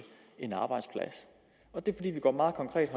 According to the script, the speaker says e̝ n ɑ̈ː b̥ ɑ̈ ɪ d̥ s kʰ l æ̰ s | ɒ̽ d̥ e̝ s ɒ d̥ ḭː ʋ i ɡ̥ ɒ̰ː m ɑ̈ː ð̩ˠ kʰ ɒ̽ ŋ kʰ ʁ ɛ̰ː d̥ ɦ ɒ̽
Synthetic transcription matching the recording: e̝ n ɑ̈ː b̥ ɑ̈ ɪ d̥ s pʰ l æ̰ s | ɒ̽ d̥ e̝ f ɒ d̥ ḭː ʋ i ɡ̥ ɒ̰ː m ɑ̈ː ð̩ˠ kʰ ɒ̽ ŋ kʰ ʁ ɛ̰ː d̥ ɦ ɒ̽